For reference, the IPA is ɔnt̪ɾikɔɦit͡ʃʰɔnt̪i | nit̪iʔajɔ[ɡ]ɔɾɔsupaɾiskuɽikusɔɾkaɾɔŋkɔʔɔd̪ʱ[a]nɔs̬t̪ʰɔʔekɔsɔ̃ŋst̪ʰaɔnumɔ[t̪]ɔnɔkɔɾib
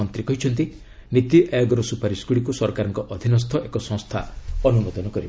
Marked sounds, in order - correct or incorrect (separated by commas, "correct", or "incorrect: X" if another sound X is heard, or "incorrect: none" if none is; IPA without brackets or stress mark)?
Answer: correct, incorrect: i, incorrect: d̪